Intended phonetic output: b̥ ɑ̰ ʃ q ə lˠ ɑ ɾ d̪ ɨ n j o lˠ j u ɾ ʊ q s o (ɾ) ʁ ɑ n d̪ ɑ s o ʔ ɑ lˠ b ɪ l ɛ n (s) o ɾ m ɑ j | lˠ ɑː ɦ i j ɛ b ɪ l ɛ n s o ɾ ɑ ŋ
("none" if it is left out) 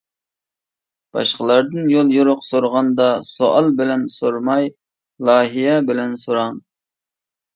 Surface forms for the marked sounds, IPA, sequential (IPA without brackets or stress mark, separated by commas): ɾ, s